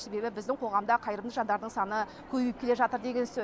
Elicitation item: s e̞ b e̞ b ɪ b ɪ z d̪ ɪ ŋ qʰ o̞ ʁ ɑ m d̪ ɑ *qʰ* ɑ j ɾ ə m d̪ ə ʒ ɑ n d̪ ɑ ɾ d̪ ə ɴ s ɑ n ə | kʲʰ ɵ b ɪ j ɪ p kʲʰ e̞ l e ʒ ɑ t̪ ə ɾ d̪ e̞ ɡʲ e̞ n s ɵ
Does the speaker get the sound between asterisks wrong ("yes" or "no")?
no